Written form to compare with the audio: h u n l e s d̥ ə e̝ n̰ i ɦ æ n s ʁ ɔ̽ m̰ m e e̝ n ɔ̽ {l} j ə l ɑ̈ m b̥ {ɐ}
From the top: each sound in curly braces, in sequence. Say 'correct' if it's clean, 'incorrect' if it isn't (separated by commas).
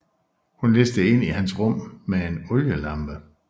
correct, incorrect